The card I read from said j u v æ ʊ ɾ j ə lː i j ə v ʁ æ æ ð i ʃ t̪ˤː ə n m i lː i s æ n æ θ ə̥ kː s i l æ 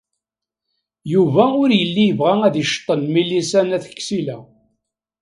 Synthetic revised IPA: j u v æ ʊ ɾ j ə lː i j ə v ʁ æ æ ð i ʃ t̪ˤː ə n m i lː i s æ n æ θ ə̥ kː s i l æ